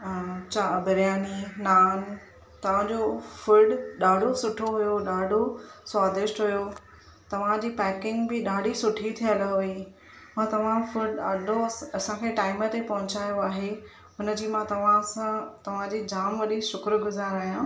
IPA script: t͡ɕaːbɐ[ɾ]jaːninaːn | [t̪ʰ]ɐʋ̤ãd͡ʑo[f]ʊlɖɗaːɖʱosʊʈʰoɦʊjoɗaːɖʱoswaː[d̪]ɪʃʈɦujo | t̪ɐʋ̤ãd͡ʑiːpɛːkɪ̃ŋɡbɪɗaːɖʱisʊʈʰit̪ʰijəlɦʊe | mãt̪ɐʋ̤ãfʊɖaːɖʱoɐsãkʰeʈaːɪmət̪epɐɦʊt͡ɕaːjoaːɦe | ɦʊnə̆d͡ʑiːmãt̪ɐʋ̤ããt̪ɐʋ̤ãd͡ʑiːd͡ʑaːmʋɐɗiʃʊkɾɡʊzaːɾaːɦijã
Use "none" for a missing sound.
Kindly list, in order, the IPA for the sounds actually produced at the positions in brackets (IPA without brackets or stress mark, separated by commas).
ɾ, t̪, f, d̪